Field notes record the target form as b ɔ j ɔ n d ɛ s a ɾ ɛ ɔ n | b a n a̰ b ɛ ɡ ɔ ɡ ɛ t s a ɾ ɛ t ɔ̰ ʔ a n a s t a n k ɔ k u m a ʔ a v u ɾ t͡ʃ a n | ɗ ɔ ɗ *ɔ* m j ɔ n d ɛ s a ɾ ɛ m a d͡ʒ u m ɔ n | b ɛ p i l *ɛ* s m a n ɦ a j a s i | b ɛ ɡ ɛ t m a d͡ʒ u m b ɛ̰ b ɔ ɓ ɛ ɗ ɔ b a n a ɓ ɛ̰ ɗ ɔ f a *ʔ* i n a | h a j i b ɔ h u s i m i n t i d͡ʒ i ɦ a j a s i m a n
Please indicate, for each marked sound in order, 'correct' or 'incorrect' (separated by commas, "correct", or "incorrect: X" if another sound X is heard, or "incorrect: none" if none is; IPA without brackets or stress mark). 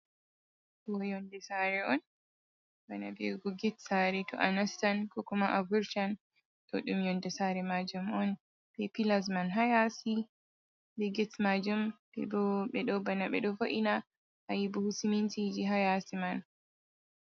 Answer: incorrect: u, incorrect: a, correct